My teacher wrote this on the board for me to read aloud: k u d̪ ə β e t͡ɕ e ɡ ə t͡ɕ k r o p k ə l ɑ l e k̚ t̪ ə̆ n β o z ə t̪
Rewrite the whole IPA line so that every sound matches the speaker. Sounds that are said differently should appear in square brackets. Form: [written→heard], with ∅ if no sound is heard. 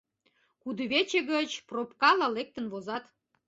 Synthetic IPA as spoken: k u d̪ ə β e t͡ɕ e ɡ ə t͡ɕ [k→p] r o p k [ə→ɑ] l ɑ l e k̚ t̪ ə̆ n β o z [ə→ɑ] t̪